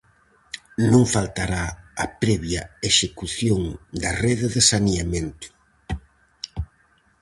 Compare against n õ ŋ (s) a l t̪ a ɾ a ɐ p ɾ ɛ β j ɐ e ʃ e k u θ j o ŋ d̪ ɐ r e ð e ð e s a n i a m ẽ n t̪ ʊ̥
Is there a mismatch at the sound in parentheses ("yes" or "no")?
yes